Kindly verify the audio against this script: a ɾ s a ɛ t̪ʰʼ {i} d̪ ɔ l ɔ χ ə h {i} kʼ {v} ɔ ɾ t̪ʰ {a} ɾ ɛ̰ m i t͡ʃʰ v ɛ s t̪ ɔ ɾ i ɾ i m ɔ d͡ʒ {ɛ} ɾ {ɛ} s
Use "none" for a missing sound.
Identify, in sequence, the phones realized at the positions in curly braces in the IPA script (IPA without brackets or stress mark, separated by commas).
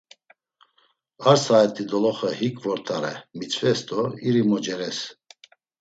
i, i, v, a, ɛ, ɛ